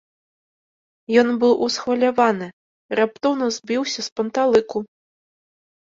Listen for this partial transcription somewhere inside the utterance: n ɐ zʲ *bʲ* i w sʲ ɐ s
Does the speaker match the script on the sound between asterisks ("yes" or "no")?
yes